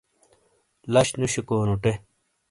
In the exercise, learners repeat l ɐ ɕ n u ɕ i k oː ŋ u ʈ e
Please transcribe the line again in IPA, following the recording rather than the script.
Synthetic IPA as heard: l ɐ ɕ n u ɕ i k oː n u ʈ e

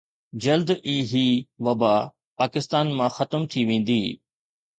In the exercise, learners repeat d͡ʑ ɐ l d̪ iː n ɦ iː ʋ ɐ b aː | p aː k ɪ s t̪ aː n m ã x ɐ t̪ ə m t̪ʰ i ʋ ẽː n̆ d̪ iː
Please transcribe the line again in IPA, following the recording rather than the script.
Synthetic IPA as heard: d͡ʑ ɐ l d̪ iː ɦ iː ʋ ɐ b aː | p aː k ɪ s t̪ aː n m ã x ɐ t̪ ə m t̪ʰ i ʋ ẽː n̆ d̪ iː

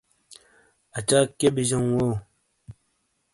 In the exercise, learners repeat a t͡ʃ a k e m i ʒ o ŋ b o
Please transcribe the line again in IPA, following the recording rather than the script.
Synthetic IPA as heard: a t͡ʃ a k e b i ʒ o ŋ w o

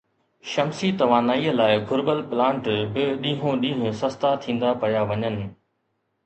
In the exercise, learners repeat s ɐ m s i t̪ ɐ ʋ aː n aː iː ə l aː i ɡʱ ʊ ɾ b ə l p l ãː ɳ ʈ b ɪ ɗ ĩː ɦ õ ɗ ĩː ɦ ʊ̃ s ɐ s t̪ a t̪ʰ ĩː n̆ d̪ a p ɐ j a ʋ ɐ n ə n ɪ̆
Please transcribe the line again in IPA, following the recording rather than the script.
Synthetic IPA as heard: ʃ ɐ m s i t̪ ɐ ʋ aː n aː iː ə l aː ɪ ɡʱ ʊ ɾ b ə l p l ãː ɳ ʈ b ɪ ɗ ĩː ɦ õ ɗ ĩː ɦ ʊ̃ s ɐ s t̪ a t̪ʰ ĩː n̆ d̪ a p ɐ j a ʋ ɐ ɲ ə n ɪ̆

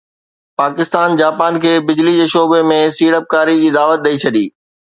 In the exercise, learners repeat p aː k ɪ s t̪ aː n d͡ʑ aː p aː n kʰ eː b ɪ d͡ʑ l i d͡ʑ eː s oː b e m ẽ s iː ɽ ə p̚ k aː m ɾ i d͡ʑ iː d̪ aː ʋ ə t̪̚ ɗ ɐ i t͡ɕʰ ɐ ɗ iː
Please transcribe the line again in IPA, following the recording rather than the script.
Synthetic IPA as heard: p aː k ɪ s t̪ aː n d͡ʑ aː p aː n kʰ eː b ɪ d͡ʑ l i d͡ʑ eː ʃ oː b e m ẽ s iː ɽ ə p̚ k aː ɾ i d͡ʑ iː d̪ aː ʋ ə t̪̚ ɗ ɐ i t͡ɕʰ ɐ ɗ iː

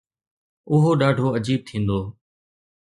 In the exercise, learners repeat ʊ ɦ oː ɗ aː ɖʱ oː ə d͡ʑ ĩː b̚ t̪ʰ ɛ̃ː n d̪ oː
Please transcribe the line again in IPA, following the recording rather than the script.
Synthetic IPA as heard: ʊ ɦ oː ɗ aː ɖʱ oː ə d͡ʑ iː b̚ t̪ʰ ĩː n d̪ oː

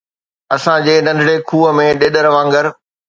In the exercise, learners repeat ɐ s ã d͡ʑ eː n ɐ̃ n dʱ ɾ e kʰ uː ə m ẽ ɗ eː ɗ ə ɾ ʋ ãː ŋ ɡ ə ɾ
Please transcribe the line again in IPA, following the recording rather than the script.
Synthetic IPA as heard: ɐ s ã d͡ʑ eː n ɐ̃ n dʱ ɽ e kʰ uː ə m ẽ ɗ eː ɗ ə ɾ ʋ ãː ŋ ɡ ə ɾ

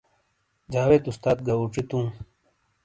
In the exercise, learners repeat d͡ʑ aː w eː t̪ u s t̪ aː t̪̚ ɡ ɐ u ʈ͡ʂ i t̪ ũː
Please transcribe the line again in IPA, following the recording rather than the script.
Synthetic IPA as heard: d͡ʑ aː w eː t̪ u s t̪ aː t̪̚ ɡ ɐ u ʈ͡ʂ i t̪ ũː

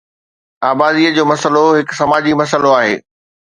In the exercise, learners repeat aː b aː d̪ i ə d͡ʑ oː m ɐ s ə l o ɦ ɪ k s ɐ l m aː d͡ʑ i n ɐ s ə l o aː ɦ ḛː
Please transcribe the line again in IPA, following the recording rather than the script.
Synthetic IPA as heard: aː b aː d̪ i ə d͡ʑ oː m ɐ s ə l o ɦ ɪ k s ɐ m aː d͡ʑ i m ɐ s ə l o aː ɦ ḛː

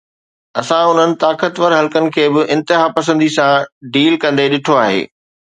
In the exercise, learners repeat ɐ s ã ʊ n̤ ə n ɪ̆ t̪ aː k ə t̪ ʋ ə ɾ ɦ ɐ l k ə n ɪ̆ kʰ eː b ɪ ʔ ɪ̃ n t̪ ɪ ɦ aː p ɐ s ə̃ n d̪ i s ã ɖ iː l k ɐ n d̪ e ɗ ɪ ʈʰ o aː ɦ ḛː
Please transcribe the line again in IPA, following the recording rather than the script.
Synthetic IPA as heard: ɐ s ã ʊ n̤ ə n ɪ̆ t̪ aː k ə t̪ ʋ ə ɾ ɦ ɐ l k ə n ɪ̆ kʰ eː b ɪ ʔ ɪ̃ n t̪ ɪ ɦ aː p ɐ s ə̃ n d̪ i s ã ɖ iː l k ɐ̃ n d̪ e ɗ ɪ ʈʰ o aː ɦ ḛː

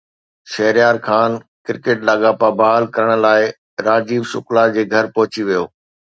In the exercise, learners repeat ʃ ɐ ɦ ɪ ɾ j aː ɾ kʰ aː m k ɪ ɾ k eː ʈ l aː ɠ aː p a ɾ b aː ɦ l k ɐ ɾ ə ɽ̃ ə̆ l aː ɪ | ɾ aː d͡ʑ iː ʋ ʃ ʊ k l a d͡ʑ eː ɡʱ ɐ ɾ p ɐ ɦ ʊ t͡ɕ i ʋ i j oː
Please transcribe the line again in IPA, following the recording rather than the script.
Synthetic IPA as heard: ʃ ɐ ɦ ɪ ɾ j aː ɾ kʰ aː n k ɪ ɾ k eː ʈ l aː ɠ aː p a b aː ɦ l k ɐ ɾ ə ɽ̃ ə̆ l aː ɪ | ɾ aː d͡ʑ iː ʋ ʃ ʊ k l a d͡ʑ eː ɡʱ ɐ ɾ p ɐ ɦ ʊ t͡ɕ i ʋ i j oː

